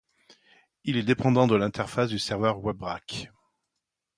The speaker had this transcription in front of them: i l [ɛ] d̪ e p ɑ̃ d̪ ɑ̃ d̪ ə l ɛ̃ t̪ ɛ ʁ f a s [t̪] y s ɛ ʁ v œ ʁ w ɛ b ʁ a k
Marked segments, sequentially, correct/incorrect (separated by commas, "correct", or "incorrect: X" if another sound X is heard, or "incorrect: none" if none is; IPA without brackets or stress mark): correct, incorrect: d̪